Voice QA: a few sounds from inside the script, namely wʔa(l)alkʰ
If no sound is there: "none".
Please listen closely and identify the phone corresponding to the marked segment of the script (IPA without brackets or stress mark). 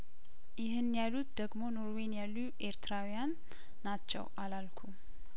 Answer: l